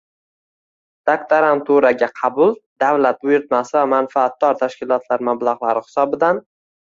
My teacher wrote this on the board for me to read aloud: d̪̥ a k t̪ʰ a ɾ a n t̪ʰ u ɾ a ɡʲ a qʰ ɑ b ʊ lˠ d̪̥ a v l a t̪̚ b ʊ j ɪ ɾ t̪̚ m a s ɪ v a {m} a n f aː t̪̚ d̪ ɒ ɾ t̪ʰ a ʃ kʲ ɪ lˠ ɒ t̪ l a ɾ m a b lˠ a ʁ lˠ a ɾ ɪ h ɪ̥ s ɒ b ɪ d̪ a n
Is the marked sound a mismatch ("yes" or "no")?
no